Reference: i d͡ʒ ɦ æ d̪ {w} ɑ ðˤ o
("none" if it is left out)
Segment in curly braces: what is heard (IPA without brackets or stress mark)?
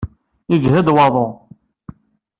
w